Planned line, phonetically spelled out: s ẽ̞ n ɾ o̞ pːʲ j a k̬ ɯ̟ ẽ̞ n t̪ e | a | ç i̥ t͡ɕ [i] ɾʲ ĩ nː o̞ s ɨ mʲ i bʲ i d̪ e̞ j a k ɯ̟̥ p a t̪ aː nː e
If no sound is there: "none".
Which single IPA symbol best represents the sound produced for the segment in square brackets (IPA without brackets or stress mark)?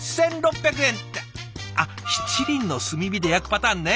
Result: i